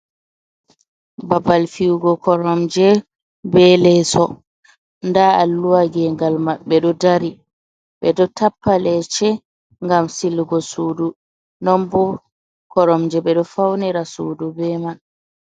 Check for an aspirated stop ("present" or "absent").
absent